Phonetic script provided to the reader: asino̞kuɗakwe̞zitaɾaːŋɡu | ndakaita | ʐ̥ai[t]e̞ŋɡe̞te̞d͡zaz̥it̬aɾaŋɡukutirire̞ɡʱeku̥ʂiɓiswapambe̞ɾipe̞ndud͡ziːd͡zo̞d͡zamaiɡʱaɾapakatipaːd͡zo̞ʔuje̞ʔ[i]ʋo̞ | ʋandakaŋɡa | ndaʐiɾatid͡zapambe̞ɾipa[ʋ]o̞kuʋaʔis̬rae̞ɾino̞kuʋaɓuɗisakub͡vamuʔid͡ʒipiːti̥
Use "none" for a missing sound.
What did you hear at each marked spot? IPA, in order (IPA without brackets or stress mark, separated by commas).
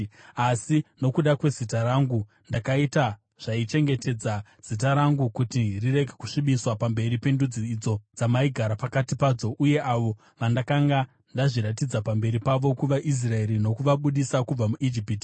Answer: t͡ʃ, a, ʋ